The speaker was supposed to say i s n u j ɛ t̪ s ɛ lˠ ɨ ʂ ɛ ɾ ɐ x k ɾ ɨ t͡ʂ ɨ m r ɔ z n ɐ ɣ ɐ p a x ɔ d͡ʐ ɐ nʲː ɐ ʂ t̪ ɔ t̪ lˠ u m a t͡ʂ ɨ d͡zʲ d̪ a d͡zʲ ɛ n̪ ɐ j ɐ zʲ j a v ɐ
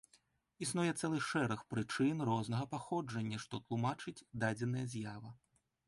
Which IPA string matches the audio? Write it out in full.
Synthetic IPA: i s n u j ɛ t̪ s ɛ lˠ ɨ ʂ ɛ ɾ ɐ x p ɾ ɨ t͡ʂ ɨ n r ɔ z n ɐ ɣ ɐ p a x ɔ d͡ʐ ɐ nʲː ɐ ʂ t̪ ɔ t̪ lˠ u m a t͡ʂ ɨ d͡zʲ d̪ a d͡zʲ ɛ n̪ ɐ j ɐ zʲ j a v ɐ